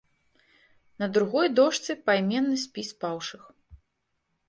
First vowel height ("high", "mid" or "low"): low